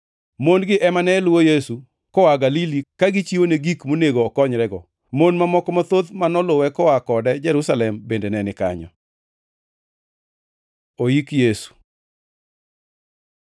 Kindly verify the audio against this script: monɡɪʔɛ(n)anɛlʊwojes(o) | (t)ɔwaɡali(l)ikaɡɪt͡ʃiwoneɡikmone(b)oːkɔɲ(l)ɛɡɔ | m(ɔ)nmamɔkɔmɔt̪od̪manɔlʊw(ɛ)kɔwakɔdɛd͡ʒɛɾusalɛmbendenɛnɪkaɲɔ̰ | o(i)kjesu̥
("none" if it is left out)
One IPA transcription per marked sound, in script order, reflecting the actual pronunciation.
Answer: m, u, k, l, ɡ, ɾ, o, ɛ, i

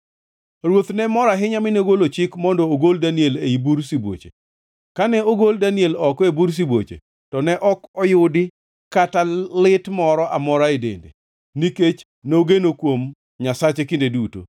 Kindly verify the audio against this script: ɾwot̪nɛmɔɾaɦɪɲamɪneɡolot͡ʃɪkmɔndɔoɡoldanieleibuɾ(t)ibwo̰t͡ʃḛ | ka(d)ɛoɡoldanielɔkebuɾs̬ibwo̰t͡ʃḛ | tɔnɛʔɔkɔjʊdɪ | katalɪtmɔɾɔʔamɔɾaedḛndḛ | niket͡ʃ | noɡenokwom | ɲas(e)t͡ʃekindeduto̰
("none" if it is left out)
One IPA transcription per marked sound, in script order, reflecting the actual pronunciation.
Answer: s, n, a

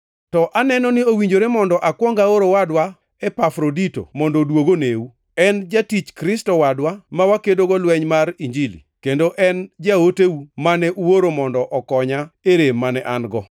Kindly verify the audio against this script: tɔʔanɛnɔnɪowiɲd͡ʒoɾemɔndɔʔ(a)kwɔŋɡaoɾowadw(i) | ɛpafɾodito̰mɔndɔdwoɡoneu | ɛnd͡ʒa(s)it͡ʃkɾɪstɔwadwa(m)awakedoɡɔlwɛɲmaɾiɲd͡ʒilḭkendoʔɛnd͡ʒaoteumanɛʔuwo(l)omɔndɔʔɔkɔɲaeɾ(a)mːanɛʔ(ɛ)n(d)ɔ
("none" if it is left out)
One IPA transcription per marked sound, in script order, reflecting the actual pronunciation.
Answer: a, a, t, m, ɾ, e, a, ɡ

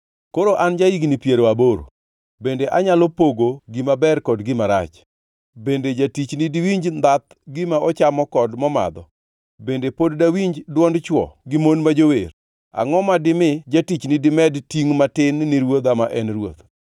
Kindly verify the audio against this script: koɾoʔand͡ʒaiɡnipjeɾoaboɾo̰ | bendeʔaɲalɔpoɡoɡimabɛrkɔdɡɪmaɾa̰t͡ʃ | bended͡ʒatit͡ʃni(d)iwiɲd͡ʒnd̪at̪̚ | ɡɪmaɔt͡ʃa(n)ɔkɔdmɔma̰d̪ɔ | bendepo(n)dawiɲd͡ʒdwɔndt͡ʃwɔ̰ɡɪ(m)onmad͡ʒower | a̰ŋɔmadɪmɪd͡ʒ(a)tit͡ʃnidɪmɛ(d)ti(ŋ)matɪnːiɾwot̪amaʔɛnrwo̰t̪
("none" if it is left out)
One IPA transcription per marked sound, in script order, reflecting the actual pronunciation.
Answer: d, m, d, m, a, d, ŋ

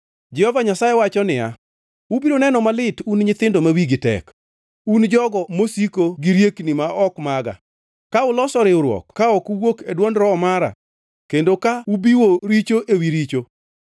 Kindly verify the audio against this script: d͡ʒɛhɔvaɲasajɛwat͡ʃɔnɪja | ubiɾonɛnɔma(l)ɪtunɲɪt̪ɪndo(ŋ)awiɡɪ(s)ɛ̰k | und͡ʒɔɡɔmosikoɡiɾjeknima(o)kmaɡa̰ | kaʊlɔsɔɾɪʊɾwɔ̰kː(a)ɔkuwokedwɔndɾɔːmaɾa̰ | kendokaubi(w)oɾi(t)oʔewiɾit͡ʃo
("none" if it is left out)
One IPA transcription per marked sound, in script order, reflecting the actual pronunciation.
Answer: l, m, t, ɔ, a, w, t͡ʃ

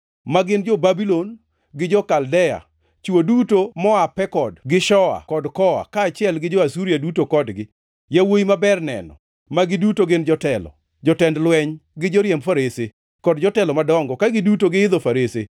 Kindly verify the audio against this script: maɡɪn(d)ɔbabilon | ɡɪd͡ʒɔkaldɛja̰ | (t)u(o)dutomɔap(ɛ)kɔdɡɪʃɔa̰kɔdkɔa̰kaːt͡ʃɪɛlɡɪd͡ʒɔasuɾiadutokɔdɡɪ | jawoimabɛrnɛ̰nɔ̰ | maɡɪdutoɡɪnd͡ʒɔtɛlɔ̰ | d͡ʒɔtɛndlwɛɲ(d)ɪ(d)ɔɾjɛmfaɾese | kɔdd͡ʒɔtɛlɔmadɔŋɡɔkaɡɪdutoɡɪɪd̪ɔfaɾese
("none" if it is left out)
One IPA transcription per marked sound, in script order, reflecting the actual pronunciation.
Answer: d͡ʒ, t͡ʃ, o, ɛ, ɡ, d͡ʒ

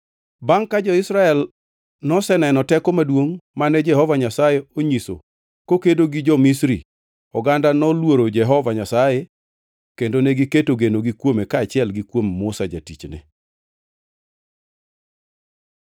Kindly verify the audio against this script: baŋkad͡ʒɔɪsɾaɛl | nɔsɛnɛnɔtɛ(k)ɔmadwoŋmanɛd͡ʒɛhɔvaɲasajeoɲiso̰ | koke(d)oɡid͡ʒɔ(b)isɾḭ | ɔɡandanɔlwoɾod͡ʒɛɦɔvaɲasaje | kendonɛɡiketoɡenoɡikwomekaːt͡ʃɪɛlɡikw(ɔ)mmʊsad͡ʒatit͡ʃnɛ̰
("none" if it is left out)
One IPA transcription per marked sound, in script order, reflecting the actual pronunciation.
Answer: k, d, m, o

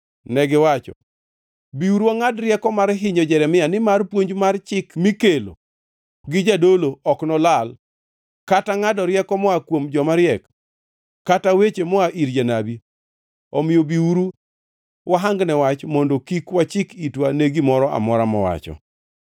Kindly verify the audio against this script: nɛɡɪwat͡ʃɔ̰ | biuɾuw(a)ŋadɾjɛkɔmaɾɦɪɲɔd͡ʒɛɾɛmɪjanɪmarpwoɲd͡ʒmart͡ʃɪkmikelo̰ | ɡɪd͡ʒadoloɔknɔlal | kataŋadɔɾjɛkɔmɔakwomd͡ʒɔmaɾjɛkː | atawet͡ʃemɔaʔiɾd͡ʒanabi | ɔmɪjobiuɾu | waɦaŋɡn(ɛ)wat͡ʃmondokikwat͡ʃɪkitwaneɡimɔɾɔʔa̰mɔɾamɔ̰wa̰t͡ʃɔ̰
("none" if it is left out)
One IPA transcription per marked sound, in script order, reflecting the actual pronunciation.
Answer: a, ɛ

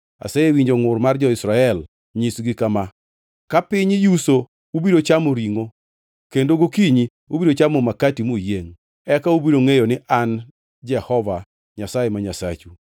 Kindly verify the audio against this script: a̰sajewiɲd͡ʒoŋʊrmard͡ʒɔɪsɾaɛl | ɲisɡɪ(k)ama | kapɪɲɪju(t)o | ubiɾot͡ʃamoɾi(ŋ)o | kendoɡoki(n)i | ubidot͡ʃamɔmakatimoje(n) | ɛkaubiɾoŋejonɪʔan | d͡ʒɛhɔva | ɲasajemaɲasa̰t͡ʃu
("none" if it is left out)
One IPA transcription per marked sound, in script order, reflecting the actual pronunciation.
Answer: k, s, ŋ, ɲ, ŋ

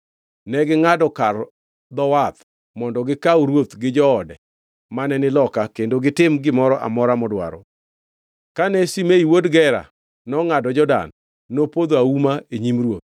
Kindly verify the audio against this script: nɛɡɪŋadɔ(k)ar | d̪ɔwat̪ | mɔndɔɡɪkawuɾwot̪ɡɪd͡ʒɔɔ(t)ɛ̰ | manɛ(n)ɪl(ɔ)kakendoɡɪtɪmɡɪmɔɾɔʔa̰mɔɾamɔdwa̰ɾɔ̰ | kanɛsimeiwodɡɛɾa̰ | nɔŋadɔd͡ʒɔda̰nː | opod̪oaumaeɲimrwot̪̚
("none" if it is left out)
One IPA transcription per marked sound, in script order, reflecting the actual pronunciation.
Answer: k, d, n, ɔ

